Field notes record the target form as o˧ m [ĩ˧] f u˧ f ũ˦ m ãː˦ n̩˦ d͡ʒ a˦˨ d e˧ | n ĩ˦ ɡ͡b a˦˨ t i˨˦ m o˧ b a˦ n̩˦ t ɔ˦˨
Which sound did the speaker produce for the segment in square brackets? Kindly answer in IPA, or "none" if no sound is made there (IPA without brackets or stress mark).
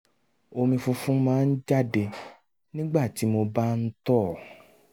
ĩ˧